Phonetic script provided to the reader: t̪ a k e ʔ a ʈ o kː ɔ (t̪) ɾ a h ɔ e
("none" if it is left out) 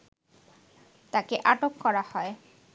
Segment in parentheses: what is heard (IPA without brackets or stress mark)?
none